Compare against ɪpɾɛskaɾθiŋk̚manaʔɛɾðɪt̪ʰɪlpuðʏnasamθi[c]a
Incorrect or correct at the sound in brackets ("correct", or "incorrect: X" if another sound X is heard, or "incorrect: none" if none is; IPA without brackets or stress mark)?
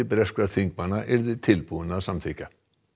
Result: correct